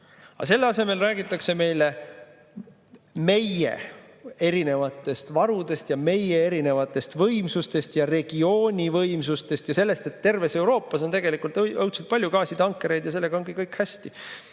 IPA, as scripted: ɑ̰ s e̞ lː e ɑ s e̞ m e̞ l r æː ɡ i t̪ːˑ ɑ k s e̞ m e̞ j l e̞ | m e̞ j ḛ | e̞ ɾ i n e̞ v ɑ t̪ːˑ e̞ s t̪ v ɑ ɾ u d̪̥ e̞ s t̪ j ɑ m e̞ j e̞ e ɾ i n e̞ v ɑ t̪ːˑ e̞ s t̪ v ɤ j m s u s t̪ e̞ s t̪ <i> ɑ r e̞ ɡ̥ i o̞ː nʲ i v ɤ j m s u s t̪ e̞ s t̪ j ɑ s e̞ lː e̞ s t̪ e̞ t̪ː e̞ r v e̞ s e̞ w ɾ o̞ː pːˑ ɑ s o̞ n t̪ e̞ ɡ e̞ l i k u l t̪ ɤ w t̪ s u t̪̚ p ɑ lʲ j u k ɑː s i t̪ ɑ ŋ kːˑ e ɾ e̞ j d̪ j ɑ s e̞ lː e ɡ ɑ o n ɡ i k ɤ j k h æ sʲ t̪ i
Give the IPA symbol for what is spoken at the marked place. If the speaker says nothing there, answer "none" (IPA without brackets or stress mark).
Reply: j